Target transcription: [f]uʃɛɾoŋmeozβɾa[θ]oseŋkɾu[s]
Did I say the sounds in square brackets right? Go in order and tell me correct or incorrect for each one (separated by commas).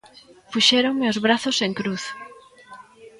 correct, correct, incorrect